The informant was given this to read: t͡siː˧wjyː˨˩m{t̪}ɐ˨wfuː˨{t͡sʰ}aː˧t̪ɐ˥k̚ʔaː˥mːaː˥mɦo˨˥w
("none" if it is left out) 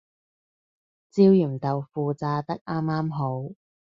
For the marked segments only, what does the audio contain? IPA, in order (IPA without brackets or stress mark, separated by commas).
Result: t̪, t͡s